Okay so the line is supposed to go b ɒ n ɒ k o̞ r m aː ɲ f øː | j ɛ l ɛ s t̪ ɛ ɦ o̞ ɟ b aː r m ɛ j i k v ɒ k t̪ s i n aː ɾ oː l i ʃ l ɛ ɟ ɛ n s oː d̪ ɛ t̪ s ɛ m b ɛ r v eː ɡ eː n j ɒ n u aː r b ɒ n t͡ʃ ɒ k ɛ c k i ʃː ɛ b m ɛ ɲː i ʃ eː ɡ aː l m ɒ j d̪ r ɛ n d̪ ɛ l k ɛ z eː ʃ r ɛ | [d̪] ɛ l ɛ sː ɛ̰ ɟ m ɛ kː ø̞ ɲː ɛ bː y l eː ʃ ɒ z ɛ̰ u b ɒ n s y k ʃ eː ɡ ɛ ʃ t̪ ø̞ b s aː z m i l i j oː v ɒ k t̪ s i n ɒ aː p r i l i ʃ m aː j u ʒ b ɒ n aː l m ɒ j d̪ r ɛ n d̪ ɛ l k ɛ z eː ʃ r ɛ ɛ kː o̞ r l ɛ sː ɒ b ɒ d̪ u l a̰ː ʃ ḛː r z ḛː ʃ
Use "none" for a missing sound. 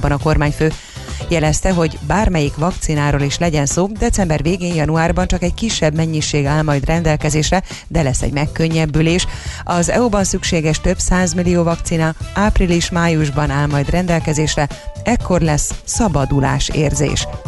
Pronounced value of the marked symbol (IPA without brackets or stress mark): d̪